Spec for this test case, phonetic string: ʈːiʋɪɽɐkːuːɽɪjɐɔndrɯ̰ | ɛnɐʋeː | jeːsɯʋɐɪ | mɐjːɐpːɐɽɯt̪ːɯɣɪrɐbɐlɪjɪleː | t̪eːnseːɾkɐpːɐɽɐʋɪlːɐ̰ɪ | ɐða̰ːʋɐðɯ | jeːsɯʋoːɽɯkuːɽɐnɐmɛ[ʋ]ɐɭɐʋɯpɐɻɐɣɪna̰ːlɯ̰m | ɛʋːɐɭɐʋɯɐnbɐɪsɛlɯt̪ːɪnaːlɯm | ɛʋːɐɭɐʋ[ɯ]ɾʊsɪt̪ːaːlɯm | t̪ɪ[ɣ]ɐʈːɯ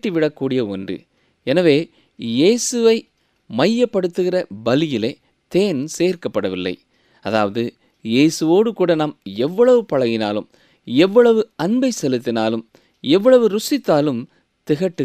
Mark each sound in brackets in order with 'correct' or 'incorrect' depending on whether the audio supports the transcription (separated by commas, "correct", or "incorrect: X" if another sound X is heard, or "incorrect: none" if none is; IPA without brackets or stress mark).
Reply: incorrect: ʋː, correct, correct